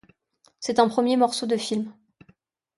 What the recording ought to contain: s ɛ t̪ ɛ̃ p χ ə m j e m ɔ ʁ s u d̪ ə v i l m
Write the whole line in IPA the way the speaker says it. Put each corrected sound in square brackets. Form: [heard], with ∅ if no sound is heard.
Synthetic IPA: s ɛ t̪ ɛ̃ p χ ə m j e m ɔ ʁ s [o] d̪ ə [f] i l m